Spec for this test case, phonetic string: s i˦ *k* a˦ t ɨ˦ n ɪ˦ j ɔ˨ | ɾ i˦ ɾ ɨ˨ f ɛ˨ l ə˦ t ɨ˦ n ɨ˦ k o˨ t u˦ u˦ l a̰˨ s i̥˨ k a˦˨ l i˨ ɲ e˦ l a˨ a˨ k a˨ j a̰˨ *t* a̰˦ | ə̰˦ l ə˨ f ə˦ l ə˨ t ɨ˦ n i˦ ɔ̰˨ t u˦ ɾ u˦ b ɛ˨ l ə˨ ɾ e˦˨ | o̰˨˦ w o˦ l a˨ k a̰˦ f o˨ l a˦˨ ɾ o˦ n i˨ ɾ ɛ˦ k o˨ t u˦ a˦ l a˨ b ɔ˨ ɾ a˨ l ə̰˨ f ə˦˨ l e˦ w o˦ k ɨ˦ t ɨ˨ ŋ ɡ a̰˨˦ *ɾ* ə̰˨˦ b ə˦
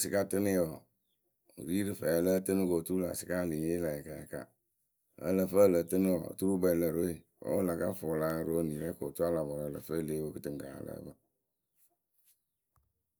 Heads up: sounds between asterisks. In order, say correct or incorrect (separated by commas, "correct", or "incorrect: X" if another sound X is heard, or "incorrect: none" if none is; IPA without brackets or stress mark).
correct, incorrect: k, incorrect: l